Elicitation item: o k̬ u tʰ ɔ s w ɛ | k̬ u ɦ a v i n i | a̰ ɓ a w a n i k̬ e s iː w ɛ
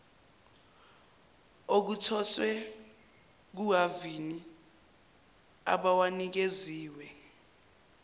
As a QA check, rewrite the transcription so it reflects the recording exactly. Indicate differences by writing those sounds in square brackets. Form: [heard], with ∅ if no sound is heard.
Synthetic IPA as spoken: o k̬ u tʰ ɔ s w ɛ | k̬ u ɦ a v i n i | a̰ ɓ a w a n i k̬ e [z] iː w ɛ